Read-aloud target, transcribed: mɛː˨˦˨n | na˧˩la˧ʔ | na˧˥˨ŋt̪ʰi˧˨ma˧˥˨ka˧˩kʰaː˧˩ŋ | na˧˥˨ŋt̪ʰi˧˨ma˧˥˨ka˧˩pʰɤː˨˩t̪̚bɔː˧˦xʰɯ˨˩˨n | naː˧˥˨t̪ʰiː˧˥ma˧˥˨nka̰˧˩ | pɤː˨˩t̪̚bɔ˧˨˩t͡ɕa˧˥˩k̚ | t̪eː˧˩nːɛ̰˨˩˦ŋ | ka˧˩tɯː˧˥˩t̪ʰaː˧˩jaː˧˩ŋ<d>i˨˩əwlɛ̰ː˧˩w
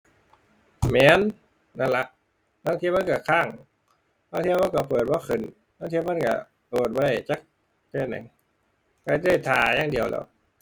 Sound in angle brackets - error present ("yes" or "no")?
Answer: no